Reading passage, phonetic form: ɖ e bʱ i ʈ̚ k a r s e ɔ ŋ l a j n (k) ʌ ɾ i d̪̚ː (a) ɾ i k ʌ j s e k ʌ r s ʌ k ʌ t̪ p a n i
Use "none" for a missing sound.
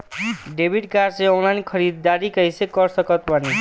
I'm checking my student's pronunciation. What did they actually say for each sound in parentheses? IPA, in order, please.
kʰ, a

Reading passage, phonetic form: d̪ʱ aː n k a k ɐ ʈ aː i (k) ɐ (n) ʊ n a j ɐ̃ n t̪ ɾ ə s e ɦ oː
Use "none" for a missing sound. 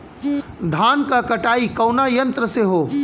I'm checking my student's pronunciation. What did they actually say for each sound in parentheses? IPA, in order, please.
k, none

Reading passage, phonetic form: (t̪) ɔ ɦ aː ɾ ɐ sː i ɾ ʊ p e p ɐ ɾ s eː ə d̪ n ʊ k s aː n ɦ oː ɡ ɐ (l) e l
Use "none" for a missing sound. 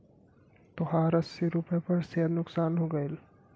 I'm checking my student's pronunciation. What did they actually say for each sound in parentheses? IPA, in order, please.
t̪, none

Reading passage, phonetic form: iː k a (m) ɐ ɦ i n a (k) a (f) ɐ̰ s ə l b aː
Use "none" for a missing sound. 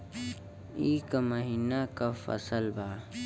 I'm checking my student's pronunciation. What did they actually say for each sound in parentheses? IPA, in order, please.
m, k, f

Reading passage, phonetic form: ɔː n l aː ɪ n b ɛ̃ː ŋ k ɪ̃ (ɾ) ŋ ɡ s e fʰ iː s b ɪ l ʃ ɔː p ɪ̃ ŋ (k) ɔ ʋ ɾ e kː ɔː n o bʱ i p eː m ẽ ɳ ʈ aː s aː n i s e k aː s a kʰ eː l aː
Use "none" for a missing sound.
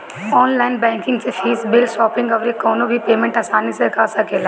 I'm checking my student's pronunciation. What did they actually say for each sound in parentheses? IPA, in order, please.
none, ɡ

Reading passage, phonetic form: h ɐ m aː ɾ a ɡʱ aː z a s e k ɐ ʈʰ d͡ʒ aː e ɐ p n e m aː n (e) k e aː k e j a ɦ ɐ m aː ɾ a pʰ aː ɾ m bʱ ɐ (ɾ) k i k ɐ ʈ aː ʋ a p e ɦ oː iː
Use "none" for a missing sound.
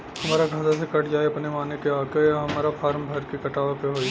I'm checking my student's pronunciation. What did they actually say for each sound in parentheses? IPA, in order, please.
e, ɾ

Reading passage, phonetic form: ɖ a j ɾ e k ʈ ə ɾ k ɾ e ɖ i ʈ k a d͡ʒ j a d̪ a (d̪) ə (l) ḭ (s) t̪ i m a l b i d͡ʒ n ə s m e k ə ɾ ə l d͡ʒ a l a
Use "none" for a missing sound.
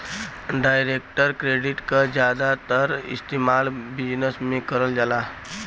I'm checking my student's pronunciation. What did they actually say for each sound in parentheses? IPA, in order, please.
t̪, ɾ, s

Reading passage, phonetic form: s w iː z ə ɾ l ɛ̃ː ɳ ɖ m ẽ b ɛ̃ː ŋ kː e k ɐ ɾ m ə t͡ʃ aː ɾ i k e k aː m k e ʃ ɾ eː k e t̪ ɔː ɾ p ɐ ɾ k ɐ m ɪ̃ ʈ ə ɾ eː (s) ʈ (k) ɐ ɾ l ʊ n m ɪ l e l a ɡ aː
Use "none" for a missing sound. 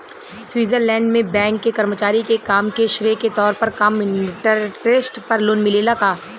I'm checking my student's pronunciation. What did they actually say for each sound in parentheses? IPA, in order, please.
s, p

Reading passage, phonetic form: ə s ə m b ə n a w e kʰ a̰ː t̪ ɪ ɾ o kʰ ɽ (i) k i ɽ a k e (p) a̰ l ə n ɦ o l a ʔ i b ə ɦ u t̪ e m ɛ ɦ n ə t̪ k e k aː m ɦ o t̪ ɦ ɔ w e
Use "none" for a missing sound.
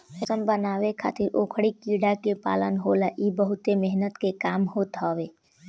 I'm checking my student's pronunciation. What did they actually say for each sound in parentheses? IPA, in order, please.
i, p

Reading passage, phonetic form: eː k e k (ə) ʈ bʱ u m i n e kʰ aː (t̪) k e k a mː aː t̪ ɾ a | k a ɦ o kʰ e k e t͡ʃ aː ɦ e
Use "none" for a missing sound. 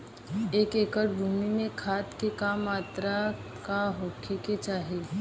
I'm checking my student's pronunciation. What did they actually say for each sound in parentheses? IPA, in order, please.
ə, t̪

